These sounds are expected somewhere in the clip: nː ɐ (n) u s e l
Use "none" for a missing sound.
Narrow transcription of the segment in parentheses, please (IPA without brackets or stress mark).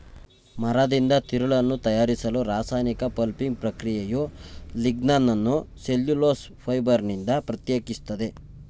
nː